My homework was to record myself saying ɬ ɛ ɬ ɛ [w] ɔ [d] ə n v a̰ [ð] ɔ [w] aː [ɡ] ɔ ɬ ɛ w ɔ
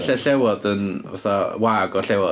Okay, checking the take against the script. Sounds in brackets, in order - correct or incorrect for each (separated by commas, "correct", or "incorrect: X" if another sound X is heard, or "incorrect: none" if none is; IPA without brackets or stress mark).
correct, correct, incorrect: θ, correct, correct